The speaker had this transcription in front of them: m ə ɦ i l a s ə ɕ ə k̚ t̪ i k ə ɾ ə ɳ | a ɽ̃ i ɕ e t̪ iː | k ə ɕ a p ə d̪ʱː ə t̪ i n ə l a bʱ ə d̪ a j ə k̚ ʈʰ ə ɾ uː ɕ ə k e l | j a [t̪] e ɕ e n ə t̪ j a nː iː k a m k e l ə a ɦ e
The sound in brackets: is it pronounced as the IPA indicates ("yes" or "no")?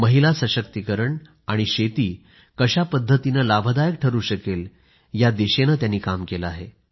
no